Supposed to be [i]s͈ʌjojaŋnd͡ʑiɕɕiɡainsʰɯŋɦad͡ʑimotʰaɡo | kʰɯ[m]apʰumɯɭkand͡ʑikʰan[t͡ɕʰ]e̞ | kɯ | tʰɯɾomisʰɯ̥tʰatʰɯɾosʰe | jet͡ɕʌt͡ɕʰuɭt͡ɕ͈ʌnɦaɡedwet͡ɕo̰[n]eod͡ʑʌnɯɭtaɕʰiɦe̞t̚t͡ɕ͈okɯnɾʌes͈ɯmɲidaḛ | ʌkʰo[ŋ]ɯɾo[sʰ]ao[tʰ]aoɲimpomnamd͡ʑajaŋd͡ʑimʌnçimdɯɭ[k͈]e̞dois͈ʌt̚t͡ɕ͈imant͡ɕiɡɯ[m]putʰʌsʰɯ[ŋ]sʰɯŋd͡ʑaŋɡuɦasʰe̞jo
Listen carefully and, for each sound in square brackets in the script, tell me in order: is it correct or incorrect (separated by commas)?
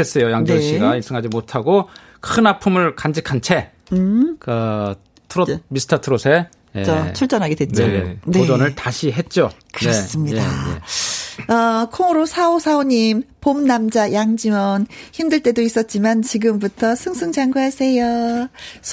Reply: incorrect, incorrect, correct, correct, correct, correct, incorrect, incorrect, correct, correct